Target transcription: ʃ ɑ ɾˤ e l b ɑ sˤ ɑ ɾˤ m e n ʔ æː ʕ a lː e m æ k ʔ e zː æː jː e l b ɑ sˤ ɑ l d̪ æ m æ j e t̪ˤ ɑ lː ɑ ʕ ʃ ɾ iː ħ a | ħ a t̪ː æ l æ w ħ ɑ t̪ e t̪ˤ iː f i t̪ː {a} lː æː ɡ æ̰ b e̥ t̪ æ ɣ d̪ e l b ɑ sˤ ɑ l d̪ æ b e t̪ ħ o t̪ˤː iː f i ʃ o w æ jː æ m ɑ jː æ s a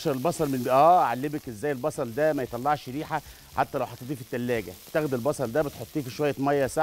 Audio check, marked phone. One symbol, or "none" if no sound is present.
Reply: æ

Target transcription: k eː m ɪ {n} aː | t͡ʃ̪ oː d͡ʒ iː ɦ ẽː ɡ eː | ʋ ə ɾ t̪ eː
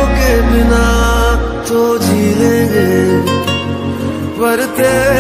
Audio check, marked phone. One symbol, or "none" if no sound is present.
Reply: n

